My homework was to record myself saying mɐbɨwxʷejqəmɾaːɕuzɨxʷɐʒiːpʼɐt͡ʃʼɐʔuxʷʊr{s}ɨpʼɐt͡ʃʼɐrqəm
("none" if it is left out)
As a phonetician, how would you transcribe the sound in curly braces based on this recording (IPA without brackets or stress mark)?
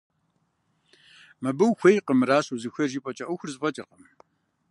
z